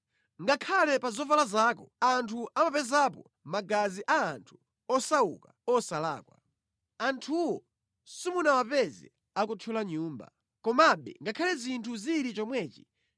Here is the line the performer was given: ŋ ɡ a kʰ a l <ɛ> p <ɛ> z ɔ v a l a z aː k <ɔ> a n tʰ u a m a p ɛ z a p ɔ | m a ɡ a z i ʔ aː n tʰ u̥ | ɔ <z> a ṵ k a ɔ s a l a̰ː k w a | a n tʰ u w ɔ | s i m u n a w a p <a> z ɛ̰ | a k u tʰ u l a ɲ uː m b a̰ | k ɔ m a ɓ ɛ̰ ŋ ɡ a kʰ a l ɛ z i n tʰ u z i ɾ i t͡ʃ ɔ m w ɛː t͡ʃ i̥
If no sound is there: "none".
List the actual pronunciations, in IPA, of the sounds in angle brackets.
ɛ, a, ɔ, s, ɛ

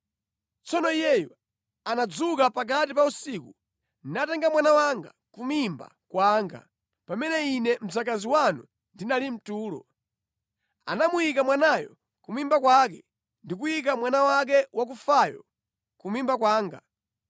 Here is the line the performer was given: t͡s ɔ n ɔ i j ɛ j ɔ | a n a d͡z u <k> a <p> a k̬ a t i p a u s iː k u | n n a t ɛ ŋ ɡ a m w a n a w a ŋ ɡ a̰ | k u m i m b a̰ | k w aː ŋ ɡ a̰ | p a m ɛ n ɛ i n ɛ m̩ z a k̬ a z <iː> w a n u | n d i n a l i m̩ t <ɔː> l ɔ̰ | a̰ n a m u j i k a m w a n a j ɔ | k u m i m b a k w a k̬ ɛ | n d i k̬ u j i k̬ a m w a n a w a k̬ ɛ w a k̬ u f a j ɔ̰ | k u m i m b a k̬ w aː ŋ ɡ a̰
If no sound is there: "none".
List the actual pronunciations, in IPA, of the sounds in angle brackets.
k, p, i, uː

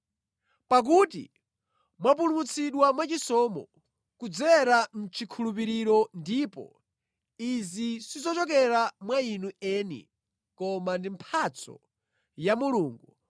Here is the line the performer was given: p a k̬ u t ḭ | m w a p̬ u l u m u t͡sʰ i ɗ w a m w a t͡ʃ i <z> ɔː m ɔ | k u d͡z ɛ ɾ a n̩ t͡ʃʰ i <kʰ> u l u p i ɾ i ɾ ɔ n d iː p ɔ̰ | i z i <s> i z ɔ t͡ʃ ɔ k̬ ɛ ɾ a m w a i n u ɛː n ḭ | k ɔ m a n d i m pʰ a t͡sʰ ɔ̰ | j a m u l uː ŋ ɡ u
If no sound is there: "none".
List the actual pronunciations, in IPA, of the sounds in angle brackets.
s, kʰ, s

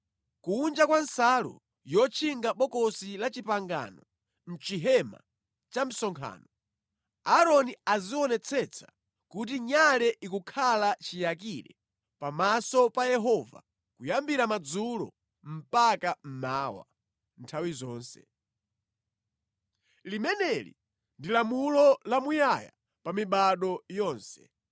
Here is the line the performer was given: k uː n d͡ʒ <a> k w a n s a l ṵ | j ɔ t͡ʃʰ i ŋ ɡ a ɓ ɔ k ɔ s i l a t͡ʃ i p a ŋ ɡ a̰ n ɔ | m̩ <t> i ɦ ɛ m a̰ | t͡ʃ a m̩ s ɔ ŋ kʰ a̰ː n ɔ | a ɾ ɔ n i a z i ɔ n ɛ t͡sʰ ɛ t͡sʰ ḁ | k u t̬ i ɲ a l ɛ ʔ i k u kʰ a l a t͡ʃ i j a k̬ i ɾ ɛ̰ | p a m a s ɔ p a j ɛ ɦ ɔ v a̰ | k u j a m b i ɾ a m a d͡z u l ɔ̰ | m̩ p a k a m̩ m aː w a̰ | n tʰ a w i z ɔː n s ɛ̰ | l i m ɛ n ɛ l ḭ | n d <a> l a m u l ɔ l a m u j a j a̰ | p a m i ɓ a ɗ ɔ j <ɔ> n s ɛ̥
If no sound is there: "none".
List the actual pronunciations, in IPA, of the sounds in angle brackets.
a, t͡ʃ, i, ɔː

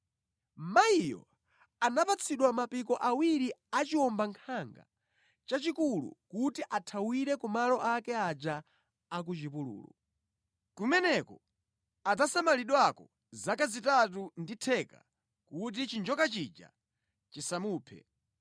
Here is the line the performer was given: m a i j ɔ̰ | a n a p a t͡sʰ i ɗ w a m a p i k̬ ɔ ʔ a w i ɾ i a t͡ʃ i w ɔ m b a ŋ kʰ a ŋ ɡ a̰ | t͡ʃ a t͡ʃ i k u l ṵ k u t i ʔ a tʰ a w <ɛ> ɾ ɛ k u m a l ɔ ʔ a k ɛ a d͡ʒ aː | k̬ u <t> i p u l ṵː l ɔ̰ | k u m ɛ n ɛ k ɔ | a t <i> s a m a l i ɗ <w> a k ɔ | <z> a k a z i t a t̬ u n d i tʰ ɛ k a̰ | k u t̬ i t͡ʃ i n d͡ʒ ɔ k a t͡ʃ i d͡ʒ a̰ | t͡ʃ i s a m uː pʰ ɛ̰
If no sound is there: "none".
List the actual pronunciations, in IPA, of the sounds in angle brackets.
i, t͡ʃ, a, w, z

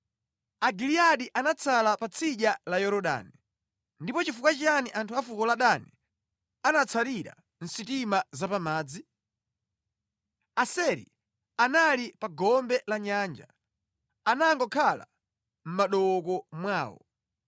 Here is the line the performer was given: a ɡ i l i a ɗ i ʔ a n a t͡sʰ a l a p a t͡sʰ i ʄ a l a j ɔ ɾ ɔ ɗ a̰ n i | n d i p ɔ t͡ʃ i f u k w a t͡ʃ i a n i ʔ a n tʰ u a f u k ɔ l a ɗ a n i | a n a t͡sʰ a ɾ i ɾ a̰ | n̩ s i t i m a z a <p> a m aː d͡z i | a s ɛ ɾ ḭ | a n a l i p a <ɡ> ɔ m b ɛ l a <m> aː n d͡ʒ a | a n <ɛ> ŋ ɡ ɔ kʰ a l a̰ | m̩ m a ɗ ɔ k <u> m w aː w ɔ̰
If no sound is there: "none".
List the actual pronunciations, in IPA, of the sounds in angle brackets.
p, ɡ, ɲ, a, ɔ

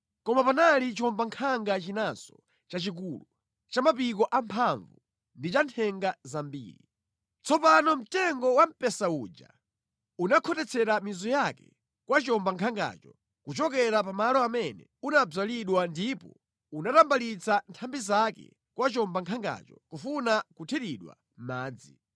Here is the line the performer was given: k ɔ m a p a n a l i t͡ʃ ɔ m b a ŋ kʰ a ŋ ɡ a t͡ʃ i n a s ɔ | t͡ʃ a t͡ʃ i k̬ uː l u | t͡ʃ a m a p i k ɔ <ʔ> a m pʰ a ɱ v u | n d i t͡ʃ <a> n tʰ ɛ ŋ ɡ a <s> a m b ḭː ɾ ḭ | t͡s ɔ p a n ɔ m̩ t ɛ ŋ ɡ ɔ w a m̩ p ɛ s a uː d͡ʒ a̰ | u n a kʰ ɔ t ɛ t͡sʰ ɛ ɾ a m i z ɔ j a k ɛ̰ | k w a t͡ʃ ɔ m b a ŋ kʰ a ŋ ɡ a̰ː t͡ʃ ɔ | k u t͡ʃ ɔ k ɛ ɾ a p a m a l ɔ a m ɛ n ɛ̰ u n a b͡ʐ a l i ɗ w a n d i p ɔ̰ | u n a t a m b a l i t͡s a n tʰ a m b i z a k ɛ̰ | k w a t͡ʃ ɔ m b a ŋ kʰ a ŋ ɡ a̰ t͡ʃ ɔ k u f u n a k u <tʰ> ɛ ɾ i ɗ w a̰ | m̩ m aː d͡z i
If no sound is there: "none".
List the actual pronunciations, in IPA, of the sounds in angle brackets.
ʔ, a, z, tʰ

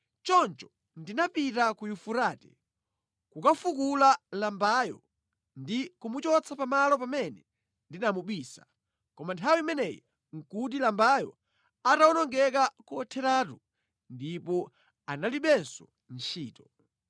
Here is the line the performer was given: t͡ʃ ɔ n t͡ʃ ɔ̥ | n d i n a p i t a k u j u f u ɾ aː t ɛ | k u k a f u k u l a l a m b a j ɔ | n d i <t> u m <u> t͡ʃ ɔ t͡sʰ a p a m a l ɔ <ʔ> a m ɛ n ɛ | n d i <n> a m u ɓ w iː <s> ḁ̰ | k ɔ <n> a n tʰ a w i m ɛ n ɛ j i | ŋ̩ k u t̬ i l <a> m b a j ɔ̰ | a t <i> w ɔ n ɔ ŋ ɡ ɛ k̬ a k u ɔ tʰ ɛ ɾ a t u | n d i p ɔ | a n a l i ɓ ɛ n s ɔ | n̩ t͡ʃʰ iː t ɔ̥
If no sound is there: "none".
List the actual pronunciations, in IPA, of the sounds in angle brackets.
k, u, p, n, s, m, a, a

